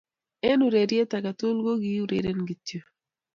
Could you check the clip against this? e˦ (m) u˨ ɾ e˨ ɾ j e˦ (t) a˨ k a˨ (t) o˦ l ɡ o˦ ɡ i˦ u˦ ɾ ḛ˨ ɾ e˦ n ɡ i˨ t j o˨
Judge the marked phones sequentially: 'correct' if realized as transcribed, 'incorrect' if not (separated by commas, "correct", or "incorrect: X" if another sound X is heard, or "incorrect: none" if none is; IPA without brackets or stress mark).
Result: incorrect: n, correct, correct